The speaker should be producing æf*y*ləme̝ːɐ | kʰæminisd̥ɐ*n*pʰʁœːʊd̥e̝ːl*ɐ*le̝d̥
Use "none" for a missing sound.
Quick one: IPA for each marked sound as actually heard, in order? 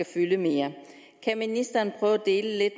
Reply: y, n, ə

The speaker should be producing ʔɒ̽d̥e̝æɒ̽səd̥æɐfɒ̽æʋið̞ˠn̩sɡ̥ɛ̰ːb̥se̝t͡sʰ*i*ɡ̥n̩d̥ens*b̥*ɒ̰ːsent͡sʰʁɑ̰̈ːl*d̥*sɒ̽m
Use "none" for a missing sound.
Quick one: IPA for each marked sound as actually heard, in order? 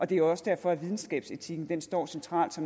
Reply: i, d̥, d̥

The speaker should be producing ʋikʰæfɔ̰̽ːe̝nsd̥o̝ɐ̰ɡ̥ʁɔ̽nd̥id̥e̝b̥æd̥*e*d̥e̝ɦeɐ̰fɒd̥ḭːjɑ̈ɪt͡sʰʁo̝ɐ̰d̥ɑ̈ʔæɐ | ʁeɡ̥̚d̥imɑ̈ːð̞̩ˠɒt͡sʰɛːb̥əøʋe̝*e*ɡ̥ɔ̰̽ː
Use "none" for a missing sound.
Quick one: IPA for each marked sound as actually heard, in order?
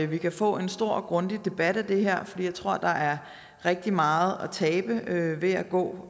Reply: æ, æ

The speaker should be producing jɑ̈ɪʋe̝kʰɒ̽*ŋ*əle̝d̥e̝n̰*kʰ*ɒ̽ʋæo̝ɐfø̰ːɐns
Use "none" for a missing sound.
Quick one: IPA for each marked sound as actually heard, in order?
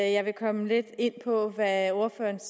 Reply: m, pʰ

